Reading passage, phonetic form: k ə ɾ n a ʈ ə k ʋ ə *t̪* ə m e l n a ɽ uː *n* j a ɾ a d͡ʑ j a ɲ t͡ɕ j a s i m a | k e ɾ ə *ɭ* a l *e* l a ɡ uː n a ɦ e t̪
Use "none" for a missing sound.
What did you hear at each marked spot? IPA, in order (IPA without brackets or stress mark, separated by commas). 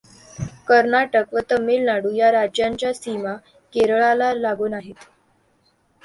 t̪, none, ɭ, a